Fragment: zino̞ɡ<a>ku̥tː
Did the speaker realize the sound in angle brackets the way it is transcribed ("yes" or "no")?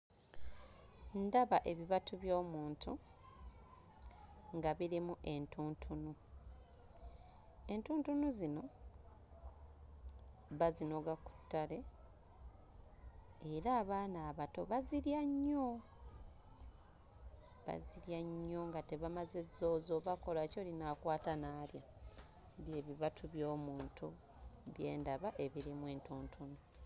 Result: yes